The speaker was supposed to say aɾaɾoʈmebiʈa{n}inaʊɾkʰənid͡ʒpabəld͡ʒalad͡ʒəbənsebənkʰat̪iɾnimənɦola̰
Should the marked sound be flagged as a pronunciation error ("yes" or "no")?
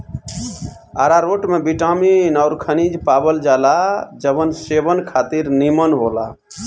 yes